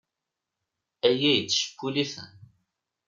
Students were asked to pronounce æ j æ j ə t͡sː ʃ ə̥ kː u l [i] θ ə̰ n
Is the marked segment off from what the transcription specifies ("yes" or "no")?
no